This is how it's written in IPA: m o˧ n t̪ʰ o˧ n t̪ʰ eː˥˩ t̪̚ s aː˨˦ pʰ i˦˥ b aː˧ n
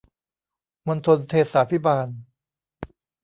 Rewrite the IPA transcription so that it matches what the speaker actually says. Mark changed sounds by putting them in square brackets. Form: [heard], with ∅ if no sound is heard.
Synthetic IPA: m o˧ n t̪ʰ o˧ n t̪ʰ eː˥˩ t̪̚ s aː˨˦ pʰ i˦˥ b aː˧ n